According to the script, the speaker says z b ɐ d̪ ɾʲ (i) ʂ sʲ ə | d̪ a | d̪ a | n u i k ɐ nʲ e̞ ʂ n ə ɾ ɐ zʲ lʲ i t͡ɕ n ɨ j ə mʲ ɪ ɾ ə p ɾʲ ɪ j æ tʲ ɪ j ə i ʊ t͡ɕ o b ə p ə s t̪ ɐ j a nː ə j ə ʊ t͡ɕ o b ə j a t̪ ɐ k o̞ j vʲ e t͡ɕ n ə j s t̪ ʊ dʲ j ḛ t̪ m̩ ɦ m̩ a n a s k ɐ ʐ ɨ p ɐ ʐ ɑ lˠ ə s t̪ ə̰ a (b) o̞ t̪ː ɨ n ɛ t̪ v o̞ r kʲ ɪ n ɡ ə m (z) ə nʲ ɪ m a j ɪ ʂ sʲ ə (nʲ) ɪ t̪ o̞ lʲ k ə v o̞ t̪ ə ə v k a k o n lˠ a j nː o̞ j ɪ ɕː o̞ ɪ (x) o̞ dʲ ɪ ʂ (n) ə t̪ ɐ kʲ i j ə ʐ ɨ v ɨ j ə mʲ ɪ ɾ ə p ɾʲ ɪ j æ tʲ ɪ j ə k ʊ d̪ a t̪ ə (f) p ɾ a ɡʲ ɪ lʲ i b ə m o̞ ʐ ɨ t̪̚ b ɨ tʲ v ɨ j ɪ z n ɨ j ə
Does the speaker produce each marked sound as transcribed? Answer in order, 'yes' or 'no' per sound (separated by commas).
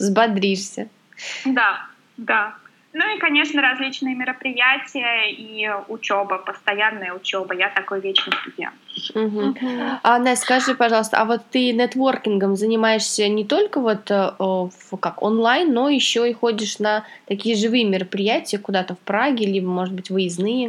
yes, no, yes, yes, yes, yes, yes